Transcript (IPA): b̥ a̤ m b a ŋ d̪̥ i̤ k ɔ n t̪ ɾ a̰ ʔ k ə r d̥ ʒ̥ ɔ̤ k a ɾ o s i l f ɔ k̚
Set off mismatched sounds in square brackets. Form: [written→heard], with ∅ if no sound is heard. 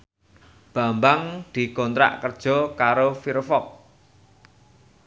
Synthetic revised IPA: b̥ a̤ m b a ŋ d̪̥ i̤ k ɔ n t̪ ɾ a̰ ʔ k ə r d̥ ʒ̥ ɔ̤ k a ɾ o [s→f] i [l→ɾ] f ɔ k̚